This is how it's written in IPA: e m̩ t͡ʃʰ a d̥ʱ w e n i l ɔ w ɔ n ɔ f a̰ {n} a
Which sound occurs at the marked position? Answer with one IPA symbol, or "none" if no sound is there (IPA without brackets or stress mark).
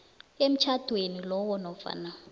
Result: n